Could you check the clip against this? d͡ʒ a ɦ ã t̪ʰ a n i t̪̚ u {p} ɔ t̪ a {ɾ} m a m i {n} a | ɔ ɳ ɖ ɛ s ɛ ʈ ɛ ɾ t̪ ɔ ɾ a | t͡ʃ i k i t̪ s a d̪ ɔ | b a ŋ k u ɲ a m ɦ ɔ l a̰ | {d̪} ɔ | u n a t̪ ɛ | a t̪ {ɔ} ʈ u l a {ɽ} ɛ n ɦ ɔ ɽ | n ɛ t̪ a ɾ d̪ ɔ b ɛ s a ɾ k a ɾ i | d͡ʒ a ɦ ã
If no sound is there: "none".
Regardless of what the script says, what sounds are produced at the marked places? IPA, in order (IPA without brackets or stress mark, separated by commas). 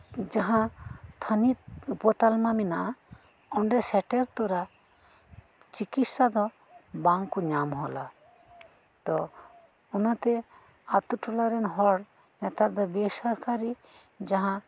p, l, n, t̪, u, ɾ